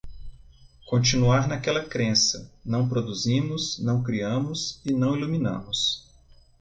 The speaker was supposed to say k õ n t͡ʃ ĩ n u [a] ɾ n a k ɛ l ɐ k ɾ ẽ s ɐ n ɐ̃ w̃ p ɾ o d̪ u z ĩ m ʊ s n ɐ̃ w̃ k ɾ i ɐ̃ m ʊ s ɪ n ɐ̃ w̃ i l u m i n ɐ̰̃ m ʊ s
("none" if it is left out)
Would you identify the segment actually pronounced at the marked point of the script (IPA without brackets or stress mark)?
a